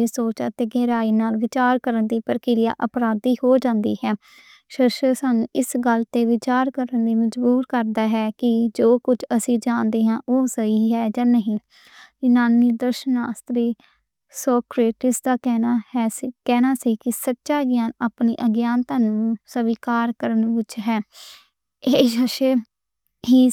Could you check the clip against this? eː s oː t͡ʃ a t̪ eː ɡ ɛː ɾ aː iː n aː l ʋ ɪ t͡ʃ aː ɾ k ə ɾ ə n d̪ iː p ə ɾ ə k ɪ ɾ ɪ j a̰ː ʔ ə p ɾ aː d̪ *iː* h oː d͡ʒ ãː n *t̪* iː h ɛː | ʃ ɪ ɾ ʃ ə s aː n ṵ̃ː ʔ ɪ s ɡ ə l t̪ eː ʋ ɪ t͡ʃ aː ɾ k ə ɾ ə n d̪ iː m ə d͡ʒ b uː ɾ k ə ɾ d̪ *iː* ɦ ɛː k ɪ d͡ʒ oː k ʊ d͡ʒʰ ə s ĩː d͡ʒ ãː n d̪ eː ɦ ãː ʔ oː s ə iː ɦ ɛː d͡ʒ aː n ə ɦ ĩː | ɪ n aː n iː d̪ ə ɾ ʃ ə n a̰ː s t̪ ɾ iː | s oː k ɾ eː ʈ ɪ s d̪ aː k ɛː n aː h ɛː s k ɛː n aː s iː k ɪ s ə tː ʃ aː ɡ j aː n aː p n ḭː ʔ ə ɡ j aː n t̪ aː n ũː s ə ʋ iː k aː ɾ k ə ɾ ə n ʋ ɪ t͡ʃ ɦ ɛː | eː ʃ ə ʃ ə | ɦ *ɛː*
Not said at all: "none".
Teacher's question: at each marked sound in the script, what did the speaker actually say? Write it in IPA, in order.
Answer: iː, d̪, aː, iː

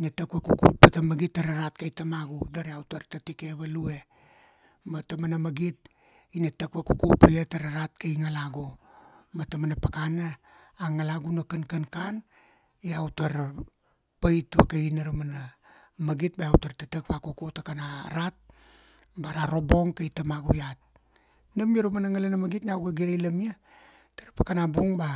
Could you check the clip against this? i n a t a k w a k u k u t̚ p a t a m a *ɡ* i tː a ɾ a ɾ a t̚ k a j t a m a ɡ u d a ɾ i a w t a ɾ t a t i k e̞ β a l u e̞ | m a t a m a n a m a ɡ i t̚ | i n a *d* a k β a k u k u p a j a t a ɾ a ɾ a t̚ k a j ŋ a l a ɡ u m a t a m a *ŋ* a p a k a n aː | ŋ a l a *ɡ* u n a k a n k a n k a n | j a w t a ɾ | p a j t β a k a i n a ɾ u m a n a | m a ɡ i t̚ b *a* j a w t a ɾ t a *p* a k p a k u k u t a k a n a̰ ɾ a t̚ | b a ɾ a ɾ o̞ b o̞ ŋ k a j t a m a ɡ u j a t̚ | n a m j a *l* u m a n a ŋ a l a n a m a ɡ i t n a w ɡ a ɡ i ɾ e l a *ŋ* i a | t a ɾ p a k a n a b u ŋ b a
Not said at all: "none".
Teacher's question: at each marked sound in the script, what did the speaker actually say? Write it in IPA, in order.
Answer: ɡ, t, n, ɡ, a, t, ɾ, m

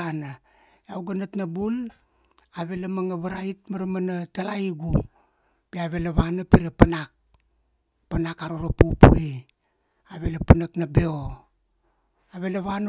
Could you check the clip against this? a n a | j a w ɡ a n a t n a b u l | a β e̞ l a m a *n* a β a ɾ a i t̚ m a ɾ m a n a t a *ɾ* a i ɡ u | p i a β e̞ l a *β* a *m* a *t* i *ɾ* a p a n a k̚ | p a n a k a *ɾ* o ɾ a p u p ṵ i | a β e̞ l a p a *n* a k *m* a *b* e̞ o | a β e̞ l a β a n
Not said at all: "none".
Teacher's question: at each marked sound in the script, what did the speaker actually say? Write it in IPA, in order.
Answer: ŋ, l, β, n, p, ɾ, ɾ, n, n, b

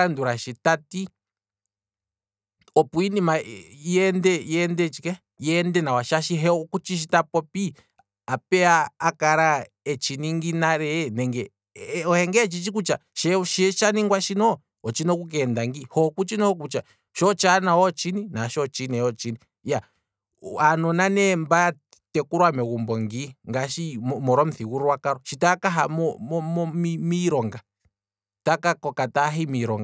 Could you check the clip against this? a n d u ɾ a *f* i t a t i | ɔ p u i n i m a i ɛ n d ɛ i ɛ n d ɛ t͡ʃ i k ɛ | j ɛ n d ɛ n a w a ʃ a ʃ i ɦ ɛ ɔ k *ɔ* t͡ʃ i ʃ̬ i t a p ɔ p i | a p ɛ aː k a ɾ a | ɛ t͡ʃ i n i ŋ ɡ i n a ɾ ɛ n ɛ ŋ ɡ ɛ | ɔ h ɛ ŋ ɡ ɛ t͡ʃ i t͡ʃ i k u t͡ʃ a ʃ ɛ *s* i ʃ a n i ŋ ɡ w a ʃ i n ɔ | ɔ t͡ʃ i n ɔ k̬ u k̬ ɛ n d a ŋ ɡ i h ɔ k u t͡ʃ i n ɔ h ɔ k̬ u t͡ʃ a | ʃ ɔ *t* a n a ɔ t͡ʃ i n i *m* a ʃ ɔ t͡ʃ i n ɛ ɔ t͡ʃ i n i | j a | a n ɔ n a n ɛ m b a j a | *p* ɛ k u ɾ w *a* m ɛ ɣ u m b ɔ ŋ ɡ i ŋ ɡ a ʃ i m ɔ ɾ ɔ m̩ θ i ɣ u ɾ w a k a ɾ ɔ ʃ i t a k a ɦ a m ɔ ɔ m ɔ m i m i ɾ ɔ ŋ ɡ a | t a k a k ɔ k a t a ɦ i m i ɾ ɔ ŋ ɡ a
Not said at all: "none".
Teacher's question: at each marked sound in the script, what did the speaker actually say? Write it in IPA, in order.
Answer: ʃ, u, ʃ, t͡ʃ, n, t, a

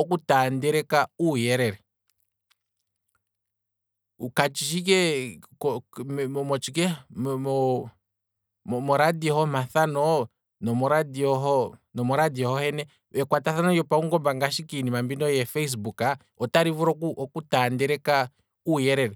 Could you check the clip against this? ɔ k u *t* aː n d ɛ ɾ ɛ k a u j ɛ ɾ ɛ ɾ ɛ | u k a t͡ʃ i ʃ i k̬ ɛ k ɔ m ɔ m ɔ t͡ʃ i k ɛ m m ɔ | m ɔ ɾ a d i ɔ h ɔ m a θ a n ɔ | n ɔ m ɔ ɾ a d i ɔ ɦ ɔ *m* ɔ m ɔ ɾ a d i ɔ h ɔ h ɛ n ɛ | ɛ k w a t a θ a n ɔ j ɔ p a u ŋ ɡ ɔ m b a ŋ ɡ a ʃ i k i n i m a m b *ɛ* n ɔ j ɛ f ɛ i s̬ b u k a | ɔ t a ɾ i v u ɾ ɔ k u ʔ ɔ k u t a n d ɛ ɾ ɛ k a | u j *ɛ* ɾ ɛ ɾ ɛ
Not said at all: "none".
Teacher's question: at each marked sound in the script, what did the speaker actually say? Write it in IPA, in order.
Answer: t, n, i, ɛ

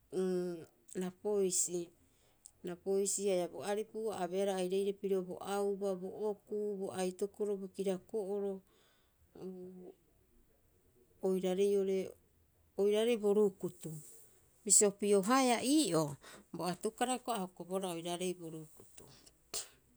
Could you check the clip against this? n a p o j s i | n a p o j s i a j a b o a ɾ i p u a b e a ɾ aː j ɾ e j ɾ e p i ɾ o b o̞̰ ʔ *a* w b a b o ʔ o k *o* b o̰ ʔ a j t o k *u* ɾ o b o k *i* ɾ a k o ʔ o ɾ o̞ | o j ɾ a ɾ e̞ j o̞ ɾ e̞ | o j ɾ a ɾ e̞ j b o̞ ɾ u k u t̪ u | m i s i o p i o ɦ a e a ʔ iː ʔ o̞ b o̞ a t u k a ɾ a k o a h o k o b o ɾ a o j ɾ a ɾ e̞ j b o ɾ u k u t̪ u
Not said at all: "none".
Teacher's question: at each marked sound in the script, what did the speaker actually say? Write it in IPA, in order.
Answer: a, u, o, i

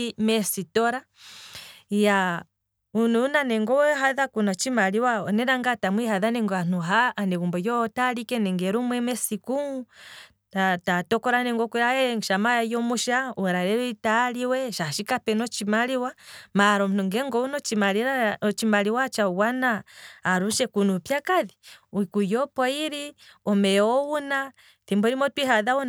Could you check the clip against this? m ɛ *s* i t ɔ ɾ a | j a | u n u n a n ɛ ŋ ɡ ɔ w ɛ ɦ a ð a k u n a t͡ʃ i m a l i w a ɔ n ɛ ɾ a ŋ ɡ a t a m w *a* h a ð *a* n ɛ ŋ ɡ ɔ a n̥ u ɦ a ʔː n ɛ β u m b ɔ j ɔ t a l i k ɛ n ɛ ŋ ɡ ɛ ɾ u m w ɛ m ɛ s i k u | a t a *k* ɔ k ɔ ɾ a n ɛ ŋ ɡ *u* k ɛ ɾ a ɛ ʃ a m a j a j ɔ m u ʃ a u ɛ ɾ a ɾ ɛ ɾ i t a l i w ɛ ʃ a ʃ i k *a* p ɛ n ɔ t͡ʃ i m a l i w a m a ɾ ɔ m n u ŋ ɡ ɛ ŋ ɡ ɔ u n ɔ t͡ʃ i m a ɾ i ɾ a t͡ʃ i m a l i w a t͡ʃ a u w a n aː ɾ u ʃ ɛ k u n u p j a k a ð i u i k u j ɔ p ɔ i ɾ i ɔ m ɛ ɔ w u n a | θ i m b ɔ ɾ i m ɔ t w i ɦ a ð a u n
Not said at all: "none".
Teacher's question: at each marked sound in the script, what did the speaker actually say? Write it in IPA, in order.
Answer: s, i, a, t, ɔ, a

